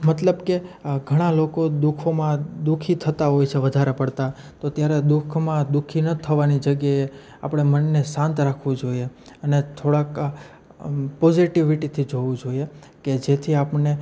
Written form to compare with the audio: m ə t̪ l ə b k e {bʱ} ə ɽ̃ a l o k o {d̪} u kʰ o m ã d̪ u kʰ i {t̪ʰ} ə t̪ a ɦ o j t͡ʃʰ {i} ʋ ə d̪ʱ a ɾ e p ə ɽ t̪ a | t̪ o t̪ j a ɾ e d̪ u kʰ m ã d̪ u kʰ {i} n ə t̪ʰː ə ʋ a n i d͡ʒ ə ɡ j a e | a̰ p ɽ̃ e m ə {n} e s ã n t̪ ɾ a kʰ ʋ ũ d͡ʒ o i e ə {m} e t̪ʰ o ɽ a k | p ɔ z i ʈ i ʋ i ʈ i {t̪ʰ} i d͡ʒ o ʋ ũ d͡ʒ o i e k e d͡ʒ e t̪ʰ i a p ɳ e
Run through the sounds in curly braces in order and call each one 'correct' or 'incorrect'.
incorrect: ɡʱ, correct, correct, incorrect: e, correct, incorrect: nː, incorrect: n, correct

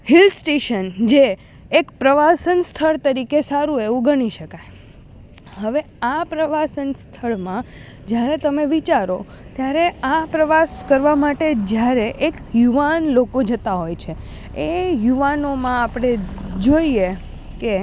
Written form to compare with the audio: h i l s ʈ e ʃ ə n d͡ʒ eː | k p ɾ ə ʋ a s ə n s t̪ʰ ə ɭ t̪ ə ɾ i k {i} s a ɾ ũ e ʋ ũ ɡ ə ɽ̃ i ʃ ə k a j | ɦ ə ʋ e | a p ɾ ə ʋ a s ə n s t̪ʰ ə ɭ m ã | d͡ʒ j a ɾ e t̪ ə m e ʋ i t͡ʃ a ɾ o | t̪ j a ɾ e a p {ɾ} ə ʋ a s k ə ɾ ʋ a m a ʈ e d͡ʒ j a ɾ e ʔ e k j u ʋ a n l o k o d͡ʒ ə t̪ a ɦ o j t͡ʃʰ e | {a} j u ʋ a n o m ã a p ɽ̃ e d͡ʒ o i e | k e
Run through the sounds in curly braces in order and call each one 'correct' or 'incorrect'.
incorrect: e, correct, incorrect: e

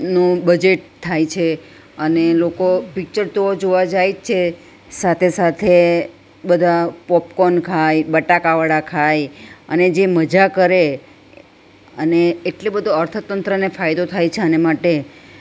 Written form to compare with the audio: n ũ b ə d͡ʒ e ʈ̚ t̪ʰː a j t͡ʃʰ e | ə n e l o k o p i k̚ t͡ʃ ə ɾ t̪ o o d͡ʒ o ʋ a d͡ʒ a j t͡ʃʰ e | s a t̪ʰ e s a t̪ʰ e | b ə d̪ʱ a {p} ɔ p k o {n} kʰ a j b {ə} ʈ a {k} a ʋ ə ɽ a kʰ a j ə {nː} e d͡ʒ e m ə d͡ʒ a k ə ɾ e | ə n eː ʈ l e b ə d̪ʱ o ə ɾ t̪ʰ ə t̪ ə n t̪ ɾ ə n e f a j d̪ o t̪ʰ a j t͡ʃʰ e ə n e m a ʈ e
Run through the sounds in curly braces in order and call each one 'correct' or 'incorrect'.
correct, correct, correct, correct, incorrect: n

